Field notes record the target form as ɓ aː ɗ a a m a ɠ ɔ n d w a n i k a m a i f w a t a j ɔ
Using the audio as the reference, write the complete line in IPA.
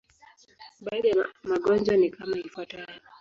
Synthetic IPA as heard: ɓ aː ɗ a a m a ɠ ɔ n d͡ʒ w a n i k a m a i f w a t a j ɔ